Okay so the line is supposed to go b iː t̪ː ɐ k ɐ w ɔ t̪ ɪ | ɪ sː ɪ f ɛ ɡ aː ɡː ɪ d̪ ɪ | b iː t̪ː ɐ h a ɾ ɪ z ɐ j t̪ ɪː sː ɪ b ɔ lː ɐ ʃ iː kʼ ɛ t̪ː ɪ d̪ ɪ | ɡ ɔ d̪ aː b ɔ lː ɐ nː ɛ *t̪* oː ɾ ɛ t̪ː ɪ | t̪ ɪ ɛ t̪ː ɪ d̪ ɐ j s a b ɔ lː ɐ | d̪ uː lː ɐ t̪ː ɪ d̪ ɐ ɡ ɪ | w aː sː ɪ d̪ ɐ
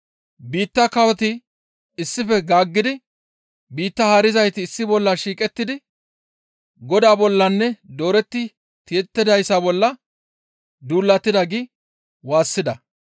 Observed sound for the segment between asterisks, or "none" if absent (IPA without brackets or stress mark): d̪